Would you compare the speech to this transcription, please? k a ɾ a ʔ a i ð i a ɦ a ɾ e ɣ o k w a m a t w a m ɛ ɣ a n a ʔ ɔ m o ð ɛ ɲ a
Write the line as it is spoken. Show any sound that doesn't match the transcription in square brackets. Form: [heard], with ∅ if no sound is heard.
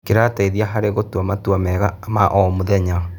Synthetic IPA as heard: k [e] ɾ a [t] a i ð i a ɦ a ɾ e ɣ o [t] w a m a t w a m ɛ ɣ a [m] a ʔ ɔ m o ð ɛ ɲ a